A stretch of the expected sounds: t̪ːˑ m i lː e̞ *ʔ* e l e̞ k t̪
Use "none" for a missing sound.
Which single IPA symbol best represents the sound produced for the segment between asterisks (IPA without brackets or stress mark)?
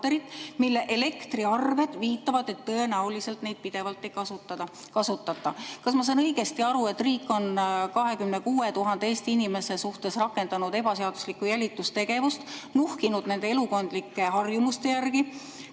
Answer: ʔ